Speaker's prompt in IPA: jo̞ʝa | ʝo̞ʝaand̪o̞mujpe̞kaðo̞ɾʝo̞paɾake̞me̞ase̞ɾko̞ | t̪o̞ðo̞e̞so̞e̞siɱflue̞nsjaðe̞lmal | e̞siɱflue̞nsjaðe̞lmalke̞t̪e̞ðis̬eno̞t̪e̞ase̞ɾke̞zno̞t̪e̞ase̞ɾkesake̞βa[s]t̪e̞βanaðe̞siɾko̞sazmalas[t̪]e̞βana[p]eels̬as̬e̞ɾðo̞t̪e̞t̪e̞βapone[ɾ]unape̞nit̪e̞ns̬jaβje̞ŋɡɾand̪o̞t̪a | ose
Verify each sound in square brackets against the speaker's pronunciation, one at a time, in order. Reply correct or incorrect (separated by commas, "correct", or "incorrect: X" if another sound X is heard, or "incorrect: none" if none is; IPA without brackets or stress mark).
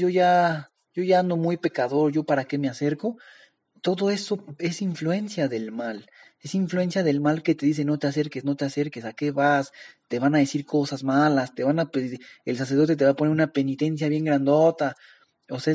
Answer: correct, correct, correct, correct